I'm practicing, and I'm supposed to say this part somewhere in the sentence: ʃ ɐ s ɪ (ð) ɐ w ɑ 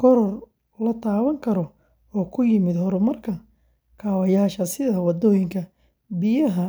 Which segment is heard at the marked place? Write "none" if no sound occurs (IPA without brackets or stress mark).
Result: ð